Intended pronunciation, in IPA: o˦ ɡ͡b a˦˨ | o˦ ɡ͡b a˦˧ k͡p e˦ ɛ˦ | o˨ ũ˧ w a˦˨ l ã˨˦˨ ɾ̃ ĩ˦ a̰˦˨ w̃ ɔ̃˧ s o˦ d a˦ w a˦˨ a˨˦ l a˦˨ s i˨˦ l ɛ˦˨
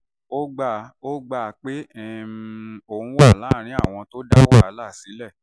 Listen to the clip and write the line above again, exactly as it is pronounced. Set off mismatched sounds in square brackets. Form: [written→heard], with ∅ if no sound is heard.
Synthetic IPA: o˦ ɡ͡b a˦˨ | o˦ ɡ͡b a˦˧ k͡p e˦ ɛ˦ | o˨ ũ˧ w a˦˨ l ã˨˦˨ ɾ̃ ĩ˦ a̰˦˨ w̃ ɔ̃˧ [s→t] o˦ d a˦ w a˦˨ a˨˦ l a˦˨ s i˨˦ l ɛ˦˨